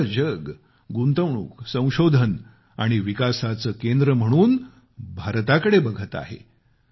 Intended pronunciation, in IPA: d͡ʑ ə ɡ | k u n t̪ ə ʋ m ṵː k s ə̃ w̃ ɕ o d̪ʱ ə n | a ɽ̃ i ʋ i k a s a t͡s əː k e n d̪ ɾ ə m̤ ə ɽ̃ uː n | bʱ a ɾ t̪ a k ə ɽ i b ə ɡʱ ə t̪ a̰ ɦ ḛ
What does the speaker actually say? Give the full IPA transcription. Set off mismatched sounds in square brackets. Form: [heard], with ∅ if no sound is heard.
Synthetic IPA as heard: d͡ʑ ə ɡ | [ɡ] u n t̪ ə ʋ [ɳ] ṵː k s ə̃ w̃ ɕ o d̪ʱ ə n | a ɽ̃ i ʋ i k a s a t͡s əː k e n d̪ ɾ ə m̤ ə ɽ̃ uː n | bʱ a ɾ t̪ a k ə ɽ [e] b ə ɡʱ ə t̪ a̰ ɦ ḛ